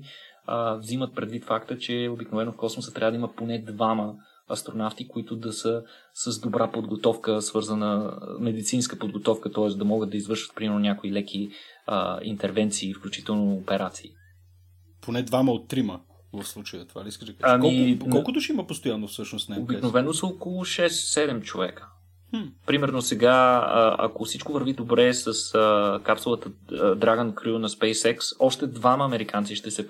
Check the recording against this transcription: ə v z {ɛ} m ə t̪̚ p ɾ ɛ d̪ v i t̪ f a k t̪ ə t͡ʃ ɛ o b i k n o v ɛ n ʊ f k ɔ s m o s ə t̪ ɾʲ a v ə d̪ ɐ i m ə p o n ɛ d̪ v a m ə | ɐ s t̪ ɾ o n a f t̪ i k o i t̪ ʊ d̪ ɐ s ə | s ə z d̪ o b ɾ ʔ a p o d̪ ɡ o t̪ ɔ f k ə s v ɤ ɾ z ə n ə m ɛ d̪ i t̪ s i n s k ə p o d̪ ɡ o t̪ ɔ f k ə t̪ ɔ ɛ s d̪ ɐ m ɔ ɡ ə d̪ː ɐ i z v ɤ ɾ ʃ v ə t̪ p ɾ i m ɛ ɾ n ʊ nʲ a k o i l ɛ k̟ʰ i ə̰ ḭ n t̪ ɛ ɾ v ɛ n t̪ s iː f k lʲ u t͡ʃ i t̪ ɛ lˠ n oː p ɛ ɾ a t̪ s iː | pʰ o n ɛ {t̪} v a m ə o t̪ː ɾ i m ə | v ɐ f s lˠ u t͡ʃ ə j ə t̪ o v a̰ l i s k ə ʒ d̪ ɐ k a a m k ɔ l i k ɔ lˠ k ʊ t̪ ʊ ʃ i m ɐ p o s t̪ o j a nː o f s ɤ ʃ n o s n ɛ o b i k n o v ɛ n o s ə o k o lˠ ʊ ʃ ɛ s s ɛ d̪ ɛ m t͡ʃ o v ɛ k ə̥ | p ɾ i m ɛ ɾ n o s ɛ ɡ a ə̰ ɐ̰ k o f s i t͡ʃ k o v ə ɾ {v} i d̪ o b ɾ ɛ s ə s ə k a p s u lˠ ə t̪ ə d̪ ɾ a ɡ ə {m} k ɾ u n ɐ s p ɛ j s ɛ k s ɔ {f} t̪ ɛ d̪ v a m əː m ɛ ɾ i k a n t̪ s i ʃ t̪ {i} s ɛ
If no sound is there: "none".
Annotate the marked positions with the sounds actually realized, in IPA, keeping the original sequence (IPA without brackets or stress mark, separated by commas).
i, d̪, v, n, ʃ, ɛ